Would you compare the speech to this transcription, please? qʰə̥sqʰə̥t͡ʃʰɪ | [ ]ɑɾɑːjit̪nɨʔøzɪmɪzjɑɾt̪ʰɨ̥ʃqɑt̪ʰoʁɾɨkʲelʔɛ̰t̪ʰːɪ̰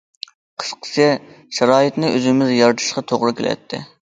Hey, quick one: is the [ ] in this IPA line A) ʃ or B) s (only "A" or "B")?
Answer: A